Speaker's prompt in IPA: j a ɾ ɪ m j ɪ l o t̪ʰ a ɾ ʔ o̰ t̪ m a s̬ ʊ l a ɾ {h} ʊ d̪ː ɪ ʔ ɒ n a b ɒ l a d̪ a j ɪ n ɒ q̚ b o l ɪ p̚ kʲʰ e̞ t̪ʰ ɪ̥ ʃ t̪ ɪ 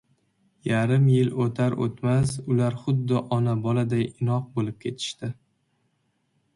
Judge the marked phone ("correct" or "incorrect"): incorrect